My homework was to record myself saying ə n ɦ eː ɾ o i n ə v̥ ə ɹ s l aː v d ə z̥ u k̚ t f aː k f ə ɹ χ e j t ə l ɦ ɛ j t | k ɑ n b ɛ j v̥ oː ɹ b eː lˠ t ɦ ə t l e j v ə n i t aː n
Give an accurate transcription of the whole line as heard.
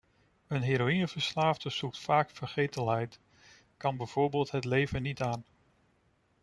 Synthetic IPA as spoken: ə n ɦ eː ɾ o i n ə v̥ ə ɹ s l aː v d ə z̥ u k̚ t f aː k f ə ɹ χ e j t ə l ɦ ɛ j t | k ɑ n b ɛ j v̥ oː ɹ b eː lˠ t ɦ ə t l e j v ə n i t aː n